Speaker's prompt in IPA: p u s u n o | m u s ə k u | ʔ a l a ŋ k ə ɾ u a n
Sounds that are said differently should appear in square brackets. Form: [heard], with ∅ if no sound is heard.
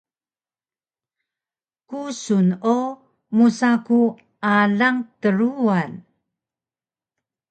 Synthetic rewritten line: [k] u s u n o | m u s [a] k u | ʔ a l a ŋ [t] ə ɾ u a n